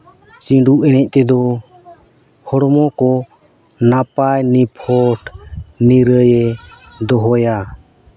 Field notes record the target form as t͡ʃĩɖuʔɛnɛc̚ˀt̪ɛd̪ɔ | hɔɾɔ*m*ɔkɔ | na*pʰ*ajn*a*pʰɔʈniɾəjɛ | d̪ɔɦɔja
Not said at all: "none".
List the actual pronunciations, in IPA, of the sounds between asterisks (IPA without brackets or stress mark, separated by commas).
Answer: m, p, i